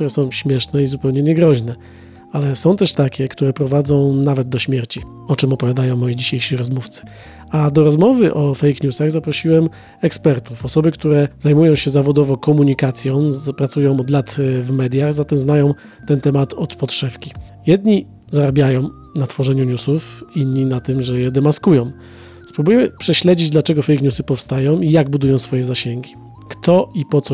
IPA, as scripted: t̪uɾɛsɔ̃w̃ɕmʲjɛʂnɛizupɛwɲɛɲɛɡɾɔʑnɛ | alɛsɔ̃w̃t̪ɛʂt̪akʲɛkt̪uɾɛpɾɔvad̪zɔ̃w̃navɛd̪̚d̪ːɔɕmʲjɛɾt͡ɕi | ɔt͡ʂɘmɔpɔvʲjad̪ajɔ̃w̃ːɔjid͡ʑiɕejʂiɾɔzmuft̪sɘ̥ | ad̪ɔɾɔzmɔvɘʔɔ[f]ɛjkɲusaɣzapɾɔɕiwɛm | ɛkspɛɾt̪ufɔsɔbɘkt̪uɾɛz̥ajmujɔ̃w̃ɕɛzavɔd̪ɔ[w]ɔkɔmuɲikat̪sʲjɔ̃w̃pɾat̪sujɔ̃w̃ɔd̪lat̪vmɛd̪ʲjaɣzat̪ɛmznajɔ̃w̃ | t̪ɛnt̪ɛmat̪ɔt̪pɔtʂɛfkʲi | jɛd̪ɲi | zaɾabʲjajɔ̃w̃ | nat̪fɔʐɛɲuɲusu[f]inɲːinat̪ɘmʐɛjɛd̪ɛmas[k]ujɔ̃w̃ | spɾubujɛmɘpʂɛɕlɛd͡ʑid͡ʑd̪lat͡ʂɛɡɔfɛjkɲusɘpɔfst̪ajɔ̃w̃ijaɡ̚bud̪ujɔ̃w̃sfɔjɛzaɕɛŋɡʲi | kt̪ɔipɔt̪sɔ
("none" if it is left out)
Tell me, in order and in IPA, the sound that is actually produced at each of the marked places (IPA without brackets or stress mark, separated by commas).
f, v, f, k